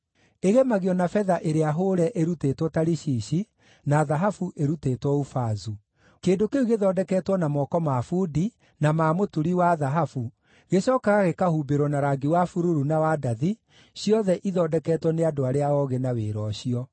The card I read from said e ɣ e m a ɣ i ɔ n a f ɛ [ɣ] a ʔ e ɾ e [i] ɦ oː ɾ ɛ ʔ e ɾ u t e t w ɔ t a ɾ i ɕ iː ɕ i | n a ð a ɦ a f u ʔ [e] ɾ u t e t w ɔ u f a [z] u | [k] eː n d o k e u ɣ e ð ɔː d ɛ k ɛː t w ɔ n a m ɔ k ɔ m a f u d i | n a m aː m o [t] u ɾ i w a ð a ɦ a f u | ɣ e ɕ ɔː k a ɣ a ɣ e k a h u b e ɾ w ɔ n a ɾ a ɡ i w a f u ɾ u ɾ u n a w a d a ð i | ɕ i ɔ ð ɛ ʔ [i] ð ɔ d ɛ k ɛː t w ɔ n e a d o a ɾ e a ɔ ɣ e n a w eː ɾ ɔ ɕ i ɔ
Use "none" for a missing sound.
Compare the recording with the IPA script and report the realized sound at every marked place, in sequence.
ð, a, e, z, k, t, i

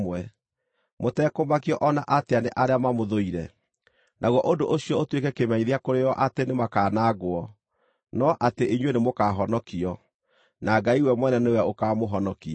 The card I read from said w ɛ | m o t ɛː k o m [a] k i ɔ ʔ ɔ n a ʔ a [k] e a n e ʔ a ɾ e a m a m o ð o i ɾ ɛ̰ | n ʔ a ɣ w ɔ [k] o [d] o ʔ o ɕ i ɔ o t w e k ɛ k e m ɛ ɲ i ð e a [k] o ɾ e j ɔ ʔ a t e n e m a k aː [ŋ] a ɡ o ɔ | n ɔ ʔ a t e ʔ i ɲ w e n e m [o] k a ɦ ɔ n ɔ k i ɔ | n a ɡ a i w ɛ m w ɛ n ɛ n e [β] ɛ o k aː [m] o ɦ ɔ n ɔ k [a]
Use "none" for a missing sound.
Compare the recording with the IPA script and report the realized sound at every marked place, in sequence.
a, t, ʔ, d, k, n, o, w, m, i

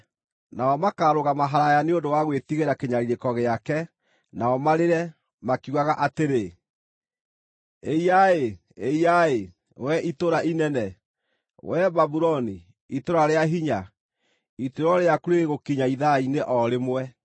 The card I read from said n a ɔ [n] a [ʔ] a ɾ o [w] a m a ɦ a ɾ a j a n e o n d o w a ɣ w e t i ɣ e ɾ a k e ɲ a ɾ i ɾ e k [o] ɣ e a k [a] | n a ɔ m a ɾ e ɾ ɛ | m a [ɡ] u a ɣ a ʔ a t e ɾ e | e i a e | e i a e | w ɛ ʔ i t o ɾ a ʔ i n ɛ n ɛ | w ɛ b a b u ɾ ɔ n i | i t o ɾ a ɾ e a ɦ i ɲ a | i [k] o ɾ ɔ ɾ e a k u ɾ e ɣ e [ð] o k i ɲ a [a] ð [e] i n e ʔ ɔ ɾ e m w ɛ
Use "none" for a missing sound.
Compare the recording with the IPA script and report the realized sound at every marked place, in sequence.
m, k, ɣ, ɔ, ɛ, k, t, ɣ, i, a

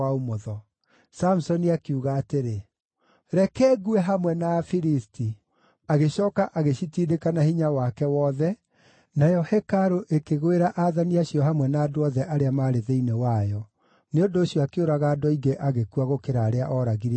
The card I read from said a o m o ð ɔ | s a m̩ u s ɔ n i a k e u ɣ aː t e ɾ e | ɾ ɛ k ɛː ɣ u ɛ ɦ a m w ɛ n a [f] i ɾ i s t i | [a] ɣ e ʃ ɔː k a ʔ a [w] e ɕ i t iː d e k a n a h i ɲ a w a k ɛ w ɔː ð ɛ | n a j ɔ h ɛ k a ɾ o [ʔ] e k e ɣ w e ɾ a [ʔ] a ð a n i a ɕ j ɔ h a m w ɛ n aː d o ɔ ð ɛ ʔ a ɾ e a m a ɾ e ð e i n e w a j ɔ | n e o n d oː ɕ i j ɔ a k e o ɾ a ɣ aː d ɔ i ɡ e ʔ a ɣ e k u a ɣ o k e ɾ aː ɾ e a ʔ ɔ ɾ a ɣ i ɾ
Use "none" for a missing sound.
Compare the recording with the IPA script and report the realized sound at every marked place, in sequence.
f, a, ɣ, ʔ, ʔ

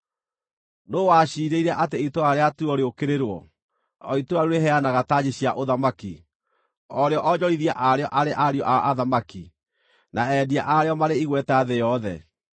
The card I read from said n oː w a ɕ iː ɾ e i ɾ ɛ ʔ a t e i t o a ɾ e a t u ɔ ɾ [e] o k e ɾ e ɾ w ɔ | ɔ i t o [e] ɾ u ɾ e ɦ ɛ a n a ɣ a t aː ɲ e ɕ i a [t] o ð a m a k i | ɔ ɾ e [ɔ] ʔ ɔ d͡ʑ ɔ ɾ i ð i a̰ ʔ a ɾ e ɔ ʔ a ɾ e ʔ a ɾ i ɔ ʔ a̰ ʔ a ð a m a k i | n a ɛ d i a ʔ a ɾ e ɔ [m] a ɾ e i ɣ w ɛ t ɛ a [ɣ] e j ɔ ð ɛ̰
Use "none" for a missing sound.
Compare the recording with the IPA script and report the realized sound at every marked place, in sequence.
e, a, ʔ, ɔ, m, ð

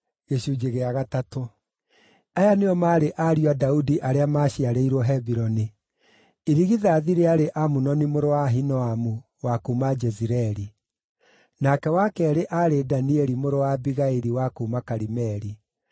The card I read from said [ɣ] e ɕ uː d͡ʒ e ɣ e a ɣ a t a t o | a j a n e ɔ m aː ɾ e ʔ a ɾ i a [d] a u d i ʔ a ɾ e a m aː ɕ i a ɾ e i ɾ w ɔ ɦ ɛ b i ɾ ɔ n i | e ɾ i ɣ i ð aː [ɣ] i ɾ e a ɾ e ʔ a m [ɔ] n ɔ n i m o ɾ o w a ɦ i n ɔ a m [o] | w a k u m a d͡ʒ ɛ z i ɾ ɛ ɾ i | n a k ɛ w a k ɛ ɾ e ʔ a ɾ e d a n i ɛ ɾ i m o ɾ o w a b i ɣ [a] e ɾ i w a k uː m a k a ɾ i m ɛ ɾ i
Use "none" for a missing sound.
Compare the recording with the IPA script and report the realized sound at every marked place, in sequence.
ɣ, d, ð, u, u, a

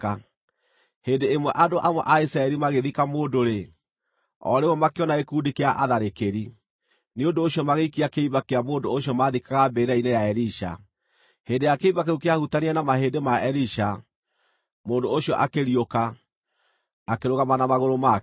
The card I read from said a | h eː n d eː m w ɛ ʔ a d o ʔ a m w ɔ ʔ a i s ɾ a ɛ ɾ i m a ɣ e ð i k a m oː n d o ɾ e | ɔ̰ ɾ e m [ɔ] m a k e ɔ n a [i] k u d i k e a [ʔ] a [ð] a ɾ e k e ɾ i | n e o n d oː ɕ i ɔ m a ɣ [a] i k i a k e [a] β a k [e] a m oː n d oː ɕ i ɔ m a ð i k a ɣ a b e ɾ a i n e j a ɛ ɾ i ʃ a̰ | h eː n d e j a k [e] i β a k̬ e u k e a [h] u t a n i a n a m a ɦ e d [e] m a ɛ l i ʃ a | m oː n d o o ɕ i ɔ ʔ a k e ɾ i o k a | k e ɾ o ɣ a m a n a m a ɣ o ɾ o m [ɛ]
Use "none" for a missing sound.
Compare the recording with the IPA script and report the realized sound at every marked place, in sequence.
ɔ, e, ʔ, ð, e, i, e, e, h, e, a

